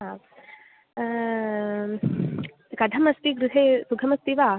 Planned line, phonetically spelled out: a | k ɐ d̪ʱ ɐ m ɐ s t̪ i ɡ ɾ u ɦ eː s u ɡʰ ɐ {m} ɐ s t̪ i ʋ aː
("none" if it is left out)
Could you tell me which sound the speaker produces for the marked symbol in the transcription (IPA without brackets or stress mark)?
m